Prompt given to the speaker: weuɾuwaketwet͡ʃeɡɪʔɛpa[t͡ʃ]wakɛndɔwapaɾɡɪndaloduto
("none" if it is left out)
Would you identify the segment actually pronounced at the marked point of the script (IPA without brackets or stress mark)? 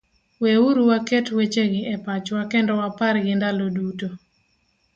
t͡ʃ